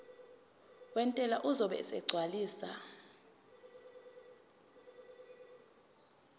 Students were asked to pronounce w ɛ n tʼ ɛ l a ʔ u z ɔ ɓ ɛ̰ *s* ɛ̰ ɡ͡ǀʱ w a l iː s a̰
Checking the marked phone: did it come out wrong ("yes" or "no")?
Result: no